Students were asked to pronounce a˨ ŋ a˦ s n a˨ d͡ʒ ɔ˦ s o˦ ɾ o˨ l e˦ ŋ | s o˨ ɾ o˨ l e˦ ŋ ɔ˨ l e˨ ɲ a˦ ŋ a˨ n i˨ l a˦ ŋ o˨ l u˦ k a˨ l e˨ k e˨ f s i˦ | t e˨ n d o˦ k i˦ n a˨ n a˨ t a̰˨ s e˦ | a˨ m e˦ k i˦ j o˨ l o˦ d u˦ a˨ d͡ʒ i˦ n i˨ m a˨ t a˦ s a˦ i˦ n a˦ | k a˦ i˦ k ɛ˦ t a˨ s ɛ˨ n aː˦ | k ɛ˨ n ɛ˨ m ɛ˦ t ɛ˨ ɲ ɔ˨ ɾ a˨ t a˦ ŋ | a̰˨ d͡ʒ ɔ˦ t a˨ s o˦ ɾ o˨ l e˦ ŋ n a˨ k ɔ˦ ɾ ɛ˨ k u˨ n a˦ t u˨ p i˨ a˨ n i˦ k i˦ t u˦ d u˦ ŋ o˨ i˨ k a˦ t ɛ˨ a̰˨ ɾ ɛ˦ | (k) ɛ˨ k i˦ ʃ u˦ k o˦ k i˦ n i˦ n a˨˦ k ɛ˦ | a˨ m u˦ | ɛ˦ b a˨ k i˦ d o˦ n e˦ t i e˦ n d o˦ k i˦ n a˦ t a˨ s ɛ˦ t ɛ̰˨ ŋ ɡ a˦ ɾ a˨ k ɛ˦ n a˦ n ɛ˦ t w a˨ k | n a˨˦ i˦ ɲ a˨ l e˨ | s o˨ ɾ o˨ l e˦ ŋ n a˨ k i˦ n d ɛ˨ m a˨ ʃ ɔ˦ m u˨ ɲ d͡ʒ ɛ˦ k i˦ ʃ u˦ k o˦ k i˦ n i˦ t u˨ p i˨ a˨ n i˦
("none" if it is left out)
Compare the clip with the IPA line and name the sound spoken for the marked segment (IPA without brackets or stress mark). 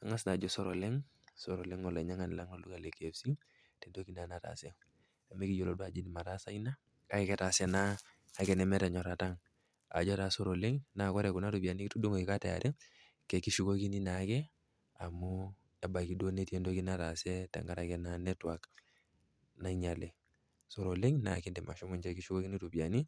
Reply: k